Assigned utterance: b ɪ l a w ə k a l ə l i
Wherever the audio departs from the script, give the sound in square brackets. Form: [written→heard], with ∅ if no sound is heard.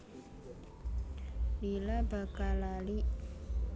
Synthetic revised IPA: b [ɪ→i] l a [w→b] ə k a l [ə→a] l i